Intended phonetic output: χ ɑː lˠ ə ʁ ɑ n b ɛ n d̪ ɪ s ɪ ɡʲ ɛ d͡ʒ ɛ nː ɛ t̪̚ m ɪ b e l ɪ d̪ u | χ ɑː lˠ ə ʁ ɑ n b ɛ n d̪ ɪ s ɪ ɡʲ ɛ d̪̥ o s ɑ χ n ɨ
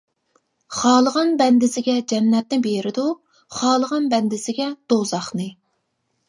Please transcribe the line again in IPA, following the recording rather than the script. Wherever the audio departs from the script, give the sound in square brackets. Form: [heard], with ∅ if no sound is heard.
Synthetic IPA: χ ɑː lˠ ə ʁ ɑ n b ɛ n d̪ ɪ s ɪ ɡʲ ɛ d͡ʒ ɛ nː ɛ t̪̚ [n] ɪ b e [ɾ] ɪ d̪ u | χ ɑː lˠ ə ʁ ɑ n b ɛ n d̪ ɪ s ɪ ɡʲ ɛ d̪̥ o [z] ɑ χ n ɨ